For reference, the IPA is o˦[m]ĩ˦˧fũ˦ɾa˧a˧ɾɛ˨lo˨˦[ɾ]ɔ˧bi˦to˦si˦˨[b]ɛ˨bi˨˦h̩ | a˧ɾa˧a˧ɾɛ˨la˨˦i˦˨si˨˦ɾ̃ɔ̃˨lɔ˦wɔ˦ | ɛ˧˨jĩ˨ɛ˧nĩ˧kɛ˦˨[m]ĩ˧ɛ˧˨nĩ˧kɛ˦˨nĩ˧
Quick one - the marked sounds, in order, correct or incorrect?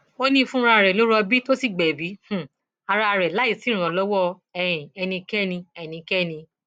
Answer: incorrect: n, correct, incorrect: ɡ͡b, incorrect: n

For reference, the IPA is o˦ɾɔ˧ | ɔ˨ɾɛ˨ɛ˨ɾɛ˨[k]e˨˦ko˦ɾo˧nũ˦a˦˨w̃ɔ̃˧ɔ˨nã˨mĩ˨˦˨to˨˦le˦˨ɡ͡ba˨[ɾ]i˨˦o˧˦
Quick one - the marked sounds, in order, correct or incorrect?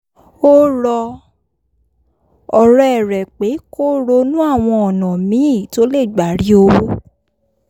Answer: incorrect: k͡p, correct

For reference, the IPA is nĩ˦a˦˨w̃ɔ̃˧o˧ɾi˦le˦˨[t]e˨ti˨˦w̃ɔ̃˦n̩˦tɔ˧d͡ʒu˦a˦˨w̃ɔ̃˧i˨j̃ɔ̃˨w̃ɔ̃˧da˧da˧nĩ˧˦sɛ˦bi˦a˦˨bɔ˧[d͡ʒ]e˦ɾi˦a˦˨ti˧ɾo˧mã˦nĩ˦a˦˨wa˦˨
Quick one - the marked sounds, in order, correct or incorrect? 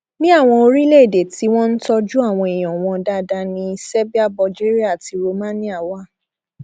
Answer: incorrect: d, correct

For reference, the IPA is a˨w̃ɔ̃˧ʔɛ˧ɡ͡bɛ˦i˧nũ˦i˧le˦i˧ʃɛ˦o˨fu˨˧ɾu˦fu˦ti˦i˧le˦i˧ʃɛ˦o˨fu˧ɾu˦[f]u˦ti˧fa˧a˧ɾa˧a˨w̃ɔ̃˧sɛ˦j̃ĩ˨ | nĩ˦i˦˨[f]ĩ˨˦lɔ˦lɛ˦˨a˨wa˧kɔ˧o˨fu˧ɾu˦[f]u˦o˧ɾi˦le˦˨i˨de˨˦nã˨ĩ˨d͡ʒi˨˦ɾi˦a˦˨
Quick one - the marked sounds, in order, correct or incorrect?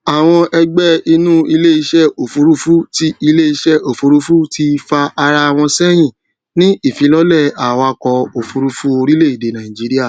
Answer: correct, correct, correct

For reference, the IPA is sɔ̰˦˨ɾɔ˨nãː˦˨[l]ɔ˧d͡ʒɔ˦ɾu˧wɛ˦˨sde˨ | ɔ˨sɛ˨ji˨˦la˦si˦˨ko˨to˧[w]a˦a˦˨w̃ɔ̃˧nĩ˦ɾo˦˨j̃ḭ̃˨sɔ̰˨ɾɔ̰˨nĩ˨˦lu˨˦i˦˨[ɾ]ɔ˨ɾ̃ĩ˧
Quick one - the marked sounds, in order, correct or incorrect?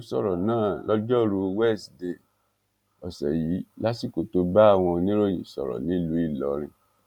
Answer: correct, incorrect: b, incorrect: l

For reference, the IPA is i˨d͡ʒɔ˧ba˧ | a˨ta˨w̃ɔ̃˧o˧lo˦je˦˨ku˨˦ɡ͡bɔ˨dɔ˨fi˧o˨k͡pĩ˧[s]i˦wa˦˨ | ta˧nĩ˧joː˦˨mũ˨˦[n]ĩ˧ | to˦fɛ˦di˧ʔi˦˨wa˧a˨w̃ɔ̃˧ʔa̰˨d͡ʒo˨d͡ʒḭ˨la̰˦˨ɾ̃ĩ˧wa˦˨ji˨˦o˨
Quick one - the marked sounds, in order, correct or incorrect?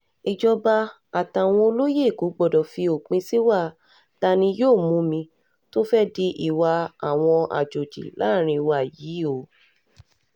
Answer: correct, incorrect: m

